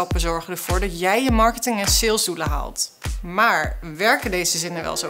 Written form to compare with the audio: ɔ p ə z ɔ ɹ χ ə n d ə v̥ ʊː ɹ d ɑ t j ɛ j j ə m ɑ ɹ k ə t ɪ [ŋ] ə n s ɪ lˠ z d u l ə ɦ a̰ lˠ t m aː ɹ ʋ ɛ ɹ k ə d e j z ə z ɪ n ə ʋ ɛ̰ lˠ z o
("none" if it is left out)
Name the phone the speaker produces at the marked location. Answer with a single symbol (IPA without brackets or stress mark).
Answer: ŋ